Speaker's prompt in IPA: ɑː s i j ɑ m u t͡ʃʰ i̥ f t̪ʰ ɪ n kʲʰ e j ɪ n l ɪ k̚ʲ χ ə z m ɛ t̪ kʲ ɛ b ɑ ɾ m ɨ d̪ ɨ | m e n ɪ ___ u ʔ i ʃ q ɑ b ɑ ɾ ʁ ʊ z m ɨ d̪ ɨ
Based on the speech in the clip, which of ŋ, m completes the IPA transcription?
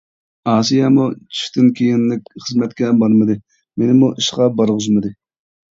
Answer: m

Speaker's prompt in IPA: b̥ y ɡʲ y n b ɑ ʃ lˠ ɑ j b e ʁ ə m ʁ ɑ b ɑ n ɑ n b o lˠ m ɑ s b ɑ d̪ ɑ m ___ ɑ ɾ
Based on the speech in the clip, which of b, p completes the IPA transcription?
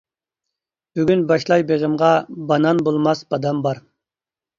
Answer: b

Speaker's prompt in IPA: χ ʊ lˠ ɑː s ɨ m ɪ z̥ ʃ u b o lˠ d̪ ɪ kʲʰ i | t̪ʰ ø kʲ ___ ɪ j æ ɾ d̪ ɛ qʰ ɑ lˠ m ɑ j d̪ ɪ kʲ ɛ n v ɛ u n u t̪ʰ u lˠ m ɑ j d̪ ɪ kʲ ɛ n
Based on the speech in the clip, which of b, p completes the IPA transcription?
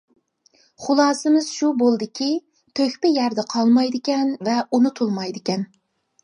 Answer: p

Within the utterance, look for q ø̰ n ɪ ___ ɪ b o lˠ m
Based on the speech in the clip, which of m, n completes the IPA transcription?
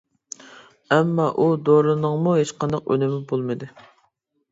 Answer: m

